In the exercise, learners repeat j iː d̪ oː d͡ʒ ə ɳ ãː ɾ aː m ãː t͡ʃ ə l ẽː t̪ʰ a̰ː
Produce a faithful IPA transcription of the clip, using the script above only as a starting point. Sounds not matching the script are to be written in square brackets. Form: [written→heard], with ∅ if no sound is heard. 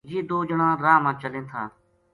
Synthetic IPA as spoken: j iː d̪ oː d͡ʒ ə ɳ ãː ɾ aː m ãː t͡ʃ ə l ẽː t̪ʰ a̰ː